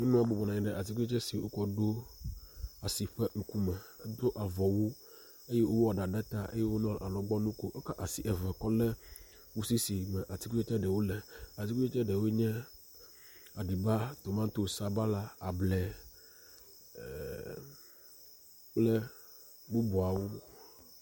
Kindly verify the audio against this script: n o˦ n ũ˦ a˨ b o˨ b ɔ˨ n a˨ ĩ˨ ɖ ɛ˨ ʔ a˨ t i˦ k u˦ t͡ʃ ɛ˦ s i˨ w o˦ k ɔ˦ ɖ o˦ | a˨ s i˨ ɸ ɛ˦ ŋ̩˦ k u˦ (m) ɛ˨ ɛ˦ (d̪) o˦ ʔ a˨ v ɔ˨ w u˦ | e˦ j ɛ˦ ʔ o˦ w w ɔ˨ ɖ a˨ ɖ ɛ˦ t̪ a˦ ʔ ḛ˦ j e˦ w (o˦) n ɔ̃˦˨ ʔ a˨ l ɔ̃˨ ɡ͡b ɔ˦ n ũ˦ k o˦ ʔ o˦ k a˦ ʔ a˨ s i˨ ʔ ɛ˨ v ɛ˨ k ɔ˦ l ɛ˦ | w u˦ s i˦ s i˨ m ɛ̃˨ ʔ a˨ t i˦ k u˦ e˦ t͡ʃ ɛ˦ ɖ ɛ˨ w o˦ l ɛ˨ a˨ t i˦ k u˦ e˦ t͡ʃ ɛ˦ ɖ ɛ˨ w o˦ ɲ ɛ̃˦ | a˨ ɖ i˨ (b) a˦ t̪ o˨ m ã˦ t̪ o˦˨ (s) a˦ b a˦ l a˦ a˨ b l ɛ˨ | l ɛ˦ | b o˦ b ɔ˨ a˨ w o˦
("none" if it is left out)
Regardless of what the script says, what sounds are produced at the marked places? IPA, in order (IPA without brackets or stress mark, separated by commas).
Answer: m, d̪, o˦, b, s